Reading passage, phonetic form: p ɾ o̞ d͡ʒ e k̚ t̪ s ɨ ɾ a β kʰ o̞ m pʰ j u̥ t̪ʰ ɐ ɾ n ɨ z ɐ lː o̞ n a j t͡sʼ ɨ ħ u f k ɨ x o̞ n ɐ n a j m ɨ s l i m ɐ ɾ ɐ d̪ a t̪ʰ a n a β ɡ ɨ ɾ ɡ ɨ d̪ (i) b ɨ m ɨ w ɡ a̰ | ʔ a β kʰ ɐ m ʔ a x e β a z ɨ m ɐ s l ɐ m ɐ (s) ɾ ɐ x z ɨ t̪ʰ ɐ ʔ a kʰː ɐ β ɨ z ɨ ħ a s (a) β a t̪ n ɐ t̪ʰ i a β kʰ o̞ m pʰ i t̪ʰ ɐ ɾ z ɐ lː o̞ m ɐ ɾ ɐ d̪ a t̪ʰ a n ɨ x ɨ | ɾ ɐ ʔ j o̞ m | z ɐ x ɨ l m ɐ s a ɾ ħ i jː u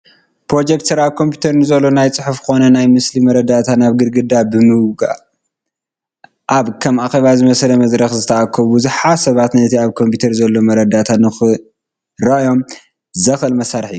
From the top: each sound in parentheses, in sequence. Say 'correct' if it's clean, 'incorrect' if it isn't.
incorrect, incorrect, incorrect

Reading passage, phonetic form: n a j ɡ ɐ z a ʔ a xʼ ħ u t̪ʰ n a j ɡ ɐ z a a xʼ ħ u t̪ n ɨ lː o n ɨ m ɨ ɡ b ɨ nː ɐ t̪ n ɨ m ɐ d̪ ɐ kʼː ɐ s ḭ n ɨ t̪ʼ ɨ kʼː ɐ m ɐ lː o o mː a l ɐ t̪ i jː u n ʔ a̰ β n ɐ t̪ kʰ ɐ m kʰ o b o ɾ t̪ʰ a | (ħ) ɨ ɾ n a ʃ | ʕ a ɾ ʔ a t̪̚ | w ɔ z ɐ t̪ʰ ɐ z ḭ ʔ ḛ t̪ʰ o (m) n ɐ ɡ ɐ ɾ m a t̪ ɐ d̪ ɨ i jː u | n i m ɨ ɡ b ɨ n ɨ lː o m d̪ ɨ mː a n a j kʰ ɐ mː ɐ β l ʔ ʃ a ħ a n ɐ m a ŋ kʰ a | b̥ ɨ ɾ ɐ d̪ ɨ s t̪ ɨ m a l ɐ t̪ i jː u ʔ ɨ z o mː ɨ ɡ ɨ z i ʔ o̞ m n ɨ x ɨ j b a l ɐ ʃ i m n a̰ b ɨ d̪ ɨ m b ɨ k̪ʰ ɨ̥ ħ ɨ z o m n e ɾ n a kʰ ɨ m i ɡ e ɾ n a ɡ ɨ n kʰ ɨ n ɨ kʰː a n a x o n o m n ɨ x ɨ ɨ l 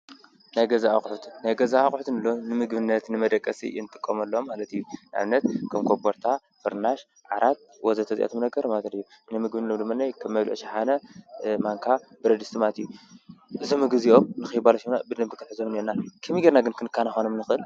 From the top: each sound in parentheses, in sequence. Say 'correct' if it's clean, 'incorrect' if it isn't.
incorrect, correct

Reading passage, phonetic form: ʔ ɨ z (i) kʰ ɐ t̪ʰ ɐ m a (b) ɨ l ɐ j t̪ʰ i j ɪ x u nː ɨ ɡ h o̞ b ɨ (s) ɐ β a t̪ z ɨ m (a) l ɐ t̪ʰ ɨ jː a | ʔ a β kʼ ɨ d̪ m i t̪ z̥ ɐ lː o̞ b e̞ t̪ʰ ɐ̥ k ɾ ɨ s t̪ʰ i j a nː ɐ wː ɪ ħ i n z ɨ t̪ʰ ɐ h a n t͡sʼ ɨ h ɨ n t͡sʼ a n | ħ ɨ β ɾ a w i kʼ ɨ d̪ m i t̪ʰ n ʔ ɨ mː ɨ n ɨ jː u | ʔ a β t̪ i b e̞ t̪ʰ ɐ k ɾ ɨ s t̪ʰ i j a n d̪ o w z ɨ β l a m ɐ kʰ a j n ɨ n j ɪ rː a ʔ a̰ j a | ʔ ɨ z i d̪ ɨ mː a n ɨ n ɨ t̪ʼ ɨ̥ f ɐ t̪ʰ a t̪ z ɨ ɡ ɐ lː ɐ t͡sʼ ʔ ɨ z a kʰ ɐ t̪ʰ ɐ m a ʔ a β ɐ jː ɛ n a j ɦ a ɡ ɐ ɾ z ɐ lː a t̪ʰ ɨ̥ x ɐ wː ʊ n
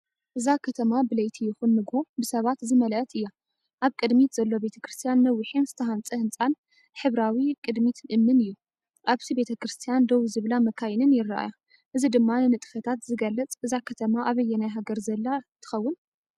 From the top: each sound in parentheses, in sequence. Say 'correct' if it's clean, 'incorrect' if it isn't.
incorrect, correct, correct, incorrect

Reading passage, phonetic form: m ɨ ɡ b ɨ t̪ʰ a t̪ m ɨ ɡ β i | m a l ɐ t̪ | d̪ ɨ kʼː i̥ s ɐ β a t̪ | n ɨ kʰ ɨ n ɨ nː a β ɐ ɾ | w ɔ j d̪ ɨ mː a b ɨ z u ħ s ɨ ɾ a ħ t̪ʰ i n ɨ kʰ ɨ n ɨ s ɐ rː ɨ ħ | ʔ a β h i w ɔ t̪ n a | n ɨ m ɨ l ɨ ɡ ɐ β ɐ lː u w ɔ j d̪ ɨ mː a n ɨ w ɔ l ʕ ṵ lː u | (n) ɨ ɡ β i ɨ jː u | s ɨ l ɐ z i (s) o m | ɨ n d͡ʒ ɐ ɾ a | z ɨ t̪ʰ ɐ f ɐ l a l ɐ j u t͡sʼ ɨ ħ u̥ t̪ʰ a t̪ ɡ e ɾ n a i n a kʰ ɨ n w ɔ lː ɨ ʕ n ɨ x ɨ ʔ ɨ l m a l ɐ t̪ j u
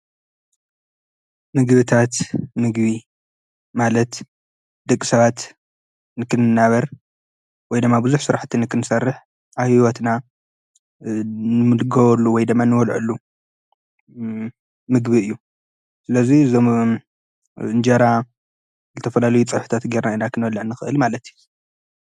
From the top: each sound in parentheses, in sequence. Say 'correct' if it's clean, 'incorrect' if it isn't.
incorrect, incorrect

